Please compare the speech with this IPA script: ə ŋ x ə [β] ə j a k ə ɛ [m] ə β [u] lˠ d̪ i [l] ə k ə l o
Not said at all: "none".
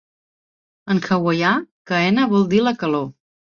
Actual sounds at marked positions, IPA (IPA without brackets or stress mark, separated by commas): w, n, ɔ, l